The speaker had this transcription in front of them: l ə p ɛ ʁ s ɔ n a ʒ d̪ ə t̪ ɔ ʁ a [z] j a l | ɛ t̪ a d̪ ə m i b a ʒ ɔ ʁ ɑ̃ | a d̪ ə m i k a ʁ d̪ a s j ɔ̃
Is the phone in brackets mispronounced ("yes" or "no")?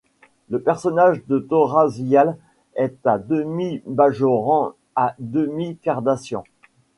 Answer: no